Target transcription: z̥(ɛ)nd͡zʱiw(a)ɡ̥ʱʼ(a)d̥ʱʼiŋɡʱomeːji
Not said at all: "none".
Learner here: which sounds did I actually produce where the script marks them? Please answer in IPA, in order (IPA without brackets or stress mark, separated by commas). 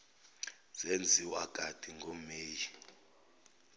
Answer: e, a, a